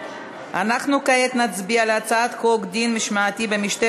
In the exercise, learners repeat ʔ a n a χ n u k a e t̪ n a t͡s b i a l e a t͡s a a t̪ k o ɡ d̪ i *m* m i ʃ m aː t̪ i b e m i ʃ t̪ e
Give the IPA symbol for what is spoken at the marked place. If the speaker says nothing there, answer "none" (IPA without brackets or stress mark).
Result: n